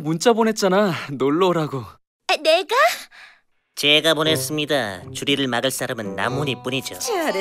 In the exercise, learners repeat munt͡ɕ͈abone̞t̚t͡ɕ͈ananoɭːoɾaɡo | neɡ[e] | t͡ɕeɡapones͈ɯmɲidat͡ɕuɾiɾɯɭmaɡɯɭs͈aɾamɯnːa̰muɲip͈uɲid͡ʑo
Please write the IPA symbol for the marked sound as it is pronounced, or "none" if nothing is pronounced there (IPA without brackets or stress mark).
a